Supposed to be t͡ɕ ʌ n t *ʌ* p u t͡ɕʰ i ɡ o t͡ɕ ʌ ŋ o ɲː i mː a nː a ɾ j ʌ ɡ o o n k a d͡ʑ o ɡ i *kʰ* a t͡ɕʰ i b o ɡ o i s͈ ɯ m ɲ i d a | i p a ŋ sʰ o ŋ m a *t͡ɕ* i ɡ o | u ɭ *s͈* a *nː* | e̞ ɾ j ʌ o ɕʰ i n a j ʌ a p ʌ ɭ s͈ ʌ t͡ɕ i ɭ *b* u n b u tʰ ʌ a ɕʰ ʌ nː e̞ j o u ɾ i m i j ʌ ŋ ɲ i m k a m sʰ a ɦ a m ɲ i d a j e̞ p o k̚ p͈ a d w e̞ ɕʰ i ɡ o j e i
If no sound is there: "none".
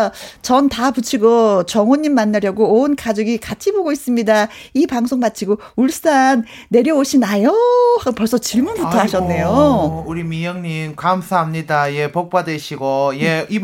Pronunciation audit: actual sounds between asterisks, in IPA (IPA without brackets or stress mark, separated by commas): a, k, t͡ɕʰ, s͈, nː, m